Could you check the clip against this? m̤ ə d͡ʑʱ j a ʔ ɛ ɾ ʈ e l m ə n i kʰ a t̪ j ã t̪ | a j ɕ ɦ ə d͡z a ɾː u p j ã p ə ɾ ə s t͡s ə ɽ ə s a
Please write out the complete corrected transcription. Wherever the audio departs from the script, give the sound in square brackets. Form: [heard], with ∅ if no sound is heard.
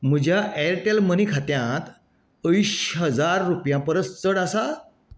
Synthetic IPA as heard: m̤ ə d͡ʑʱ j a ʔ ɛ ɾ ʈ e l m ə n i kʰ a t̪ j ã t̪ | [ə] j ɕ ɦ ə d͡z a ɾː u p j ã p ə ɾ ə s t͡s ə ɽ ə s a